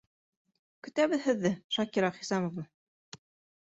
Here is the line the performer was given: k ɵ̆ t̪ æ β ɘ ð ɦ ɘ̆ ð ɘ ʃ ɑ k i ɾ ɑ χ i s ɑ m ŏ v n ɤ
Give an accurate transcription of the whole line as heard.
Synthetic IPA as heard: k ɵ̆ t̪ æ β ɘ ð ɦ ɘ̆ ðː ɘ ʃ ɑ k i ɾ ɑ χ i s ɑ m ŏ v n ɤ